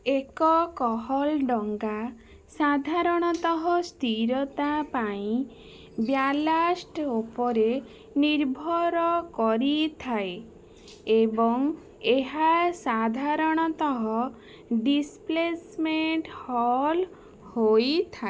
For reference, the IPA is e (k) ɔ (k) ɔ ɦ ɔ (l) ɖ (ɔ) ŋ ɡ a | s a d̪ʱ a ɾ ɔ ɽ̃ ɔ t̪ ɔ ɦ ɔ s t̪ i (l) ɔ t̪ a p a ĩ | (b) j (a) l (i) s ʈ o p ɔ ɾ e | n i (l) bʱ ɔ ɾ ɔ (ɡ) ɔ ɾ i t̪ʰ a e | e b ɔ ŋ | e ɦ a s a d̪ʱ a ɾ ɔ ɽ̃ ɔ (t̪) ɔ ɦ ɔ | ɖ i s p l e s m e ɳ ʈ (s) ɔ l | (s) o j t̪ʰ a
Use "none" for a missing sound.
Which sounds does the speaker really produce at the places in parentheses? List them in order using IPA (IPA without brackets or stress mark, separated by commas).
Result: k, k, l, ɔ, ɾ, b, a, a, ɾ, k, t̪, h, h